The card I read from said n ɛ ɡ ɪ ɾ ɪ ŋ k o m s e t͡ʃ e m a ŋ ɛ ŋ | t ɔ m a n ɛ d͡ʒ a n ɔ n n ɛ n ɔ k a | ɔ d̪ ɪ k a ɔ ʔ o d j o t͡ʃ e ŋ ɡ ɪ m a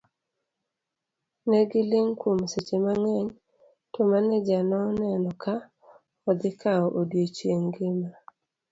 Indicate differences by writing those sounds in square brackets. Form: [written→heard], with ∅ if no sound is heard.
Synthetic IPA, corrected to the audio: n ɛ ɡ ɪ [ɾ→l] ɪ ŋ k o m s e t͡ʃ e m a ŋ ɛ [ŋ→ɲ] | t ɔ m a n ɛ d͡ʒ a n ɔ n n ɛ n ɔ k a | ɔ d̪ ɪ k a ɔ ʔ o d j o t͡ʃ e ŋ ɡ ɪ m a